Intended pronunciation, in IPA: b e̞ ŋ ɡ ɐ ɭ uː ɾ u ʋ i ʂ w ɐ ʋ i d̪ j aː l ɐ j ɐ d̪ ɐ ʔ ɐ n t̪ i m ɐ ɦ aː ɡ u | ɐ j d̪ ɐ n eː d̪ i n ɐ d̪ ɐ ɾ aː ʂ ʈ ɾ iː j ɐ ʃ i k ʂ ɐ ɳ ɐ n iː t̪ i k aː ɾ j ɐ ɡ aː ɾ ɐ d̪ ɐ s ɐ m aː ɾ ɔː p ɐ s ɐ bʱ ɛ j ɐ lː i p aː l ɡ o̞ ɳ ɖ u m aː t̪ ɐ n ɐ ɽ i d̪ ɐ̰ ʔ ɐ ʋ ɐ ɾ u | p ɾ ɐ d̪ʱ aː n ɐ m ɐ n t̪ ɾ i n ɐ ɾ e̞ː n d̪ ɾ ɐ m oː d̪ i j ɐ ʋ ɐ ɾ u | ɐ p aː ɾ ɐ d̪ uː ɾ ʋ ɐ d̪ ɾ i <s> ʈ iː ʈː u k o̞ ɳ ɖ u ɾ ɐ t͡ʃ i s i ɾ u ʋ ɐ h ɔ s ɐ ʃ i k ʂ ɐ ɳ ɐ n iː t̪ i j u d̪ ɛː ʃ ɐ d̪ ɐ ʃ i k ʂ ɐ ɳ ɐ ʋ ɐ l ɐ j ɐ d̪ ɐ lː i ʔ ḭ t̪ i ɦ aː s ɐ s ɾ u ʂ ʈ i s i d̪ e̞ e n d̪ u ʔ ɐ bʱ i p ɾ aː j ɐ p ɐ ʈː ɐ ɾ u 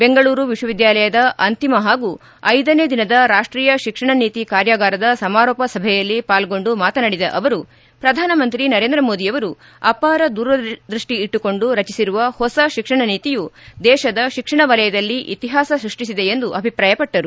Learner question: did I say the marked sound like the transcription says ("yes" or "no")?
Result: no